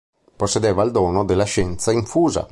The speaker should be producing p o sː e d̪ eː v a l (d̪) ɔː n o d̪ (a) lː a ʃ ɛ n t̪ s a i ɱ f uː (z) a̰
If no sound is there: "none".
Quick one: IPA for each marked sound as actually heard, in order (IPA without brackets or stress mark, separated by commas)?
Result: d̪, e, z